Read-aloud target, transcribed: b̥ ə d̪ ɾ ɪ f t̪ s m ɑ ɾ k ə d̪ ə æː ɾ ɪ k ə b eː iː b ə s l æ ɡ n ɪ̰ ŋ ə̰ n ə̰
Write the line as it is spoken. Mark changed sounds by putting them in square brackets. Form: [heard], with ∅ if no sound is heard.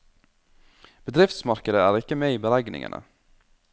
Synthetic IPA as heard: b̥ ə d̪ ɾ ɪ f t̪ s m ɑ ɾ k ə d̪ ə æː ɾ ɪ k ə [m] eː iː b ə [∅] l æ ɡ n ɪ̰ ŋ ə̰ n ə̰